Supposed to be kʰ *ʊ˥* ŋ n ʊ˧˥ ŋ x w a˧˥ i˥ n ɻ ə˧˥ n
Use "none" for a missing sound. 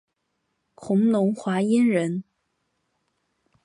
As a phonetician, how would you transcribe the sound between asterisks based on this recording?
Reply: ʊ˧˥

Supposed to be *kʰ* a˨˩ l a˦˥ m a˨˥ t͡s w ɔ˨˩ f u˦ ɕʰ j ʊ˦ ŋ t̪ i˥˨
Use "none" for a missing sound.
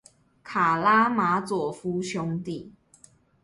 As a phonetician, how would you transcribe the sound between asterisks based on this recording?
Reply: kʰ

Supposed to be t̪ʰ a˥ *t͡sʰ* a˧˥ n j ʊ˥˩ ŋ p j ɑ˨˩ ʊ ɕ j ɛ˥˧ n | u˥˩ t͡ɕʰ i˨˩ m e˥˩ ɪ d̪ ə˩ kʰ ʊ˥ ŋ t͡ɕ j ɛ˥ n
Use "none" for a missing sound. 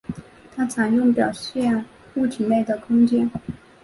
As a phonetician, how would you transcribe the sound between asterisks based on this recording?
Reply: t͡sʰ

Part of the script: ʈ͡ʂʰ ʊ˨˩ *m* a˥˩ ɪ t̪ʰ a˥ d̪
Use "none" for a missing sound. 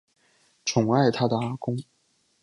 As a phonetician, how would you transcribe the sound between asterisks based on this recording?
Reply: ŋ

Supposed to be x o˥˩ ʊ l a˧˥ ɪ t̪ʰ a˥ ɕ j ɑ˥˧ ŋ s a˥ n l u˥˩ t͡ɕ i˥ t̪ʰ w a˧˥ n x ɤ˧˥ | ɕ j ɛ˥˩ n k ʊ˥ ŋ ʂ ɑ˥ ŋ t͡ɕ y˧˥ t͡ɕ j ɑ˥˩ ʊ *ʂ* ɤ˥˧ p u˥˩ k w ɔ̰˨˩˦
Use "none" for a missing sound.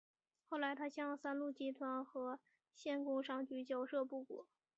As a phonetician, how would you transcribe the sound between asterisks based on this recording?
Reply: ʂ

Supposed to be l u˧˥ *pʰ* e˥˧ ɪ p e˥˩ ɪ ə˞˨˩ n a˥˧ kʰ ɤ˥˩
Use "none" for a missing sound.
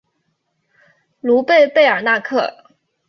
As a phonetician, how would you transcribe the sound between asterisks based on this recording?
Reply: p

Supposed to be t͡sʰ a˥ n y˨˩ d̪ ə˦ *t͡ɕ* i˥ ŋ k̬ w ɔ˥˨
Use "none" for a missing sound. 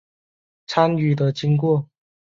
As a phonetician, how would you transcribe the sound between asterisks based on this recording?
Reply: t͡ɕ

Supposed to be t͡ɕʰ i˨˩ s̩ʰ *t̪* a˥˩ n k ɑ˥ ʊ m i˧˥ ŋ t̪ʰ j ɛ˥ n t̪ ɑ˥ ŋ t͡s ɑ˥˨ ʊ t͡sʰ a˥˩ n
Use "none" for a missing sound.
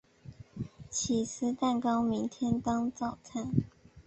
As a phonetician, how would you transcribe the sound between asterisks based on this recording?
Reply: t̪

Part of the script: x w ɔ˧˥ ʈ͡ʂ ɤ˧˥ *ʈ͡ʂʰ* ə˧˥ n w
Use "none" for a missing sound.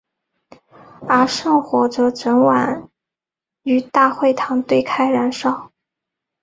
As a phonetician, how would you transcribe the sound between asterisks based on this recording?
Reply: ʈ͡ʂ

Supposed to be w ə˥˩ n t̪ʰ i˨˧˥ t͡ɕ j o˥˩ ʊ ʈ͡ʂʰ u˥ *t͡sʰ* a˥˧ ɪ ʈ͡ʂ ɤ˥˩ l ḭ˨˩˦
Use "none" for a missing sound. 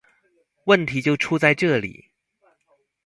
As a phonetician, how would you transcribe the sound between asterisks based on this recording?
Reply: t͡s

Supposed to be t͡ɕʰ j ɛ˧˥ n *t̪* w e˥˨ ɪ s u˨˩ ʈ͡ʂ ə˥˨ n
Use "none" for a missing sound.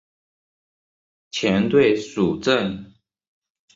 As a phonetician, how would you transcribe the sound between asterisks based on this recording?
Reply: t̪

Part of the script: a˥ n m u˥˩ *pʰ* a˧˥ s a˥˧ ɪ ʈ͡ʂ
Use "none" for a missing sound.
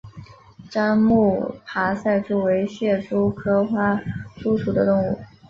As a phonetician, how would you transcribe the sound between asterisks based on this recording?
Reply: pʰ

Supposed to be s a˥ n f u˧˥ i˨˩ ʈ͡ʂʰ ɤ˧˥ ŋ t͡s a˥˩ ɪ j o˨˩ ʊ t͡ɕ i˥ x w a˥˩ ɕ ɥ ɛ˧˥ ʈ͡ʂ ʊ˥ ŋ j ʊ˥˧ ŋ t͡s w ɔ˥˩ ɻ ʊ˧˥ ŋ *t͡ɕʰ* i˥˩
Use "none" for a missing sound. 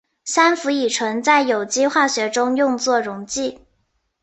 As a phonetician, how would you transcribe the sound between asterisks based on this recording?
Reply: t͡ɕ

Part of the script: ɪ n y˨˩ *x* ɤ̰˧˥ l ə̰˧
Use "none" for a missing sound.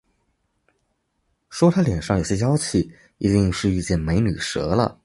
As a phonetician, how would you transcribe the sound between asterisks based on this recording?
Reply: ʂ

